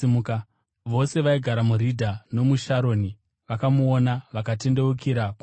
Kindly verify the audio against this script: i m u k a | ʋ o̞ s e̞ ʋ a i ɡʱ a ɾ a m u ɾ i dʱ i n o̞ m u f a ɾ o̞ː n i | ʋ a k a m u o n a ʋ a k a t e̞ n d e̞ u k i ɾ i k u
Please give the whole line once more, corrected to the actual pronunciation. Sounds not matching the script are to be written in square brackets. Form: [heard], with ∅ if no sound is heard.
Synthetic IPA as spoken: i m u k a | ʋ o̞ s e̞ ʋ a i ɡʱ a ɾ a m u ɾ i dʱ [a] n o̞ m u [ʃ] a ɾ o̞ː n i | ʋ a k a m u o n a ʋ a k a t e̞ n d e̞ u k i ɾ [a] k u